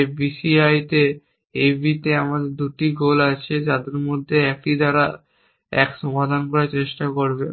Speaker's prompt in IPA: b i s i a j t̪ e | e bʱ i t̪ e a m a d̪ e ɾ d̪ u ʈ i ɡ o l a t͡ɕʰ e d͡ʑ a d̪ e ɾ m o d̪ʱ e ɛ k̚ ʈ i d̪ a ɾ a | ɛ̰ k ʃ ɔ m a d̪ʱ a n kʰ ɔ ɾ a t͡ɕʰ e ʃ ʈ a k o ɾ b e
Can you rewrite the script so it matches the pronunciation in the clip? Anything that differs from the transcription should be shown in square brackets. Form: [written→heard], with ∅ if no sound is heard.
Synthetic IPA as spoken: b i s i a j t̪ e | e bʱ i t̪ e a m a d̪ e ɾ d̪ u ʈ i ɡ o l a t͡ɕʰ e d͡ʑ a d̪ e ɾ m o [d̪ʱ→d̪ʱː] e ɛ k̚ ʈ i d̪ a ɾ a | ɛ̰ k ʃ ɔ m a d̪ʱ a n [kʰ→k] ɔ ɾ a [t͡ɕʰ→t͡ɕ] e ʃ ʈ a k o ɾ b e